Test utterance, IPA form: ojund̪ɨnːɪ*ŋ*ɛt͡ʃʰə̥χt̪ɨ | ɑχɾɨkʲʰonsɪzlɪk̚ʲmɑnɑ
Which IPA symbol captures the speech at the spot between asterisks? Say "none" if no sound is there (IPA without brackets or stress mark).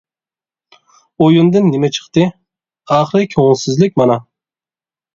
m